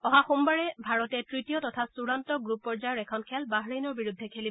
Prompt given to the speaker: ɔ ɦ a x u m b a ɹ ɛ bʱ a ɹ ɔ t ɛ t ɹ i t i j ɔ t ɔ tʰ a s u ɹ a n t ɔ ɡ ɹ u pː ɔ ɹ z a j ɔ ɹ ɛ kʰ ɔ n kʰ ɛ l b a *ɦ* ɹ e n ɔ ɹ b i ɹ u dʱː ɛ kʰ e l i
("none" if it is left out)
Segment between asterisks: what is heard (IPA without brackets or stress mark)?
ɦ